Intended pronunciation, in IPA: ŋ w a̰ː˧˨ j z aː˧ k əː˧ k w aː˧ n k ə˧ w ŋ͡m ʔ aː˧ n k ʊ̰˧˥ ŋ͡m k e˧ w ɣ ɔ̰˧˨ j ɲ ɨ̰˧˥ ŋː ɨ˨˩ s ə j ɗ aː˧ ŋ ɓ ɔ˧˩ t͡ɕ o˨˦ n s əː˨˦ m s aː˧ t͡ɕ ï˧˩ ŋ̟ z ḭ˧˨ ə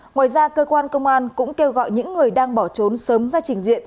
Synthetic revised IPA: ŋ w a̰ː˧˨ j z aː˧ k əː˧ k w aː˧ n k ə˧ w ŋ͡m ʔ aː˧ n k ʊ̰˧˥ ŋ͡m k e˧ w ɣ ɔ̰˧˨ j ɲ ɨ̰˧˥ ŋː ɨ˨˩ ə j ɗ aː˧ ŋ ɓ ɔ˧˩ t͡ɕ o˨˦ n s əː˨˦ m z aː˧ t͡ɕ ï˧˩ ŋ̟ z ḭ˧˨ ə